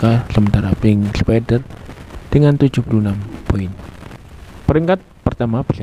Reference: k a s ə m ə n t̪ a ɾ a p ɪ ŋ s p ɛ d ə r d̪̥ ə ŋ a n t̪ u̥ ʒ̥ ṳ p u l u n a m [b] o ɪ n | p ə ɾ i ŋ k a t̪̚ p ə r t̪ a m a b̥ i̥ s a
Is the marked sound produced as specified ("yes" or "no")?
no